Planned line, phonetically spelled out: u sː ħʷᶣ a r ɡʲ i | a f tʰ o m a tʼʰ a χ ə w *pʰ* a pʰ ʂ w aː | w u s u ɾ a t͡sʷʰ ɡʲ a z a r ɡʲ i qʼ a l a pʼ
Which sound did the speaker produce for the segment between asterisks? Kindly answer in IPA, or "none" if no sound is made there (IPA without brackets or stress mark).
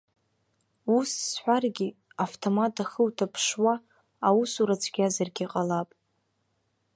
tʰ